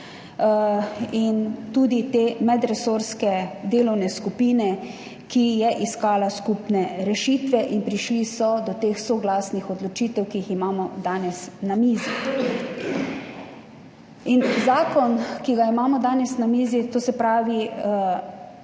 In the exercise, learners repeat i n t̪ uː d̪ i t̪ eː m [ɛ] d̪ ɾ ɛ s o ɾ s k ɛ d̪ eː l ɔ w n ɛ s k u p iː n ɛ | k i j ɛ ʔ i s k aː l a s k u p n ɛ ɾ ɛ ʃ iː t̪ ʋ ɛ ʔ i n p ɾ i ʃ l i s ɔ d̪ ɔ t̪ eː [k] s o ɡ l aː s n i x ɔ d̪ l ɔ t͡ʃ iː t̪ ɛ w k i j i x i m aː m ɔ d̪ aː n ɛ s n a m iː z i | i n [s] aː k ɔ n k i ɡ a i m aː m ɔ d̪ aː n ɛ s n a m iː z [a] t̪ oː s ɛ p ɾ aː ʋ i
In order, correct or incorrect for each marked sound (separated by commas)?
correct, incorrect, incorrect, incorrect